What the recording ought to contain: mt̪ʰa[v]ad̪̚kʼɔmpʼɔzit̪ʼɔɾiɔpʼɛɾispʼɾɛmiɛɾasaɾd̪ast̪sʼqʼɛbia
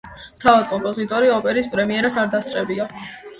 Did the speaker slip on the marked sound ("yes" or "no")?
no